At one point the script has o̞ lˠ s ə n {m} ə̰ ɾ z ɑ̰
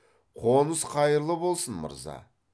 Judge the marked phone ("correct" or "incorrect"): correct